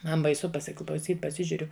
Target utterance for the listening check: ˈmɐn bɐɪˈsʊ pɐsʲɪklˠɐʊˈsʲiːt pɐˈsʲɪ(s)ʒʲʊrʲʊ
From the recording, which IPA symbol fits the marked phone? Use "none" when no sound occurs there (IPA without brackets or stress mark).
none